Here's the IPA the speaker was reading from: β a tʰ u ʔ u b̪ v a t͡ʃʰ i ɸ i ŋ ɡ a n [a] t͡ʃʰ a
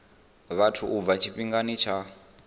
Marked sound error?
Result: yes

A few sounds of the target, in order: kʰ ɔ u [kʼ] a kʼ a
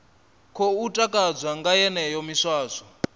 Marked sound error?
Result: yes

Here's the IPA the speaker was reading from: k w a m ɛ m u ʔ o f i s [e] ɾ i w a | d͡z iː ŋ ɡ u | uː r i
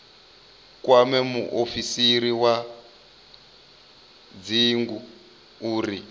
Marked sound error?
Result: yes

